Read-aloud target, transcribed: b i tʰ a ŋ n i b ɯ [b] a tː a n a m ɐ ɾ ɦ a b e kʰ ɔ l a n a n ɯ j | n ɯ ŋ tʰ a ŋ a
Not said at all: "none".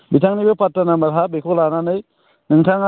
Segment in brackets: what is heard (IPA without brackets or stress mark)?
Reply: p